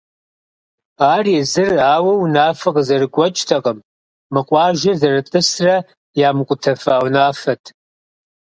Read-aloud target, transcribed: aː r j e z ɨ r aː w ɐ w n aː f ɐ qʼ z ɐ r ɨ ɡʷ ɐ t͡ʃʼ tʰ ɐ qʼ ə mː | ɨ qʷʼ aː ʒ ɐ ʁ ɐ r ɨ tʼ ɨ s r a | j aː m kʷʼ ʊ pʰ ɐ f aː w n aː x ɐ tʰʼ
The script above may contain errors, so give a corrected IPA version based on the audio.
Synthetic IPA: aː r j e z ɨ r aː w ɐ w n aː f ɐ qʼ z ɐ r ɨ ɡʷ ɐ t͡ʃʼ tʰ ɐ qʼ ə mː | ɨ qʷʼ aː ʒ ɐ z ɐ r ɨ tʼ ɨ s r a | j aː m kʷʼ ʊ tʰ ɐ f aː w n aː f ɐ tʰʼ